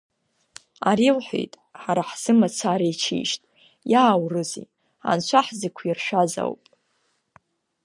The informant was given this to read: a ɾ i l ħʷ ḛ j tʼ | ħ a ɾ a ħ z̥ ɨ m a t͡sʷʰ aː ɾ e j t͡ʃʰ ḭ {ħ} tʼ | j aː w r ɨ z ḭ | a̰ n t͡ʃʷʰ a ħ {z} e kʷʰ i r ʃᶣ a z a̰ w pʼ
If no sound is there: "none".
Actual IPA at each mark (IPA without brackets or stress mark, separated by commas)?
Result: ʃ, z